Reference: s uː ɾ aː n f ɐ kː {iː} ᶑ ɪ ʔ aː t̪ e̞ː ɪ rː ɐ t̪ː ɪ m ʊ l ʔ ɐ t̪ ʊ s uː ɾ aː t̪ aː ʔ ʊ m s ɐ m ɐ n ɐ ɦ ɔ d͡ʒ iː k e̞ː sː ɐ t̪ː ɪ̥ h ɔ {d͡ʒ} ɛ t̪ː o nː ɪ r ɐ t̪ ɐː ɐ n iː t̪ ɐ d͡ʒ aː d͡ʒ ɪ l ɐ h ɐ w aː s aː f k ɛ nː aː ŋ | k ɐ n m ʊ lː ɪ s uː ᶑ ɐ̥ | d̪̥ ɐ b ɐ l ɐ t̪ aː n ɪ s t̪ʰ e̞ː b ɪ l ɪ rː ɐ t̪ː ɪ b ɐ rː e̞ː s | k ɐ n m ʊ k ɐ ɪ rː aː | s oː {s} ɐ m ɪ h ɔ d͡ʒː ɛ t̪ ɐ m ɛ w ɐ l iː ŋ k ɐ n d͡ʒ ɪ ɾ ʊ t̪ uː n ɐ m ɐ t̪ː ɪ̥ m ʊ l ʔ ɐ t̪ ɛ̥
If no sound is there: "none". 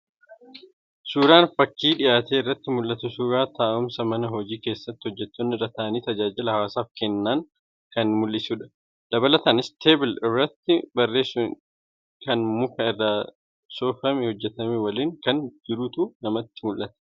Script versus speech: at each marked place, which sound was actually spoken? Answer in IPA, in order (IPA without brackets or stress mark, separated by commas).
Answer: iː, d͡ʒː, f